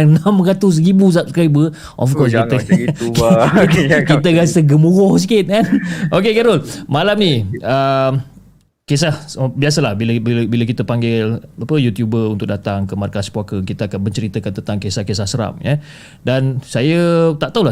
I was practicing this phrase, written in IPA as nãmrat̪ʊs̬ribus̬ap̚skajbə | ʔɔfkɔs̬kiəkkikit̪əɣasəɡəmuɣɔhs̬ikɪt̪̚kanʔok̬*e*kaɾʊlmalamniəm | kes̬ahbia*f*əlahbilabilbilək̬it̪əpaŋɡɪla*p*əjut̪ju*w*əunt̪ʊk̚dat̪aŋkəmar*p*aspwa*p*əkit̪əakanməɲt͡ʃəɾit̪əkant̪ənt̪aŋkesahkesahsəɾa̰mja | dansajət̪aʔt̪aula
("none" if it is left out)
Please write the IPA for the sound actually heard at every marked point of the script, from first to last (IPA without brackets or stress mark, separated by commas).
e, s, p, b, k, k